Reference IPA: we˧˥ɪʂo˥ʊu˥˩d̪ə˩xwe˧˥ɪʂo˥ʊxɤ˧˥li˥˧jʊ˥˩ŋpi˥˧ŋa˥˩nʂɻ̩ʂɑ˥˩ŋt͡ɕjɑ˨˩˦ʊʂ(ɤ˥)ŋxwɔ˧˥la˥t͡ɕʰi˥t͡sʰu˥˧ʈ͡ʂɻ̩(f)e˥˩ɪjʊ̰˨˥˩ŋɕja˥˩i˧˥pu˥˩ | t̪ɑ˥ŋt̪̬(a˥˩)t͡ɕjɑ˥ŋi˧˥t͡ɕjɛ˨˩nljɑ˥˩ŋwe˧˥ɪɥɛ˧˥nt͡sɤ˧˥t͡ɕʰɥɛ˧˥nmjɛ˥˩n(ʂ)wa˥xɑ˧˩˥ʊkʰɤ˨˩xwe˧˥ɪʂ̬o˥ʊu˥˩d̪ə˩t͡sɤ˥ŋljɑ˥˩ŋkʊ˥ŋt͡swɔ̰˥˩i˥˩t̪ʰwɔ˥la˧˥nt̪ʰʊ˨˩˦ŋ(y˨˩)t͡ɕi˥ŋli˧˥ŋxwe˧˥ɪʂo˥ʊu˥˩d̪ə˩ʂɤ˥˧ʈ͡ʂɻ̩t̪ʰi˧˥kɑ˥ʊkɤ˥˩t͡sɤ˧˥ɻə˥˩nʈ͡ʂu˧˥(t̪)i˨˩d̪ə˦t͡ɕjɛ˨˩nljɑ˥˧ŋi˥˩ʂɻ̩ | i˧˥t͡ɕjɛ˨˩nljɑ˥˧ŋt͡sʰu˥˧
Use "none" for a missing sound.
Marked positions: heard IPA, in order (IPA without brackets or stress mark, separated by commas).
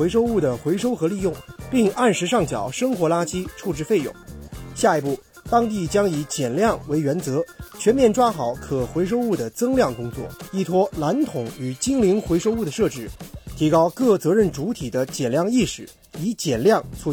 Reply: ɤ˥, f, i˥˩, ʈ͡ʂ, y˨˩, t̪ʰ